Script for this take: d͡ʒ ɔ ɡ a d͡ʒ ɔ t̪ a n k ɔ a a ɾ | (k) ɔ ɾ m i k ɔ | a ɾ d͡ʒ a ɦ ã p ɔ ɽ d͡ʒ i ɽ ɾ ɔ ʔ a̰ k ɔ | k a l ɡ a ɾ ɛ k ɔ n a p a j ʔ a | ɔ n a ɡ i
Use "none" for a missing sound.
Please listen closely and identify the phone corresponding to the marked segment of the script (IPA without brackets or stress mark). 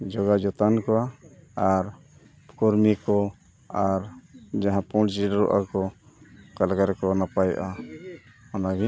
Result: k